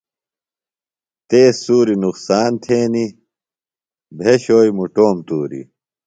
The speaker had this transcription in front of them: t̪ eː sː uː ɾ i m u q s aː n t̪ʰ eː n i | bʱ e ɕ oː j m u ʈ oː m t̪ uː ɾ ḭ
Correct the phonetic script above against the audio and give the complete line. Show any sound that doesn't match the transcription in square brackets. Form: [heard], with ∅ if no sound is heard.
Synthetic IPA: t̪ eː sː uː ɾ i [n] u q s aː n t̪ʰ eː n i | bʱ e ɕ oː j m u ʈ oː m t̪ uː ɾ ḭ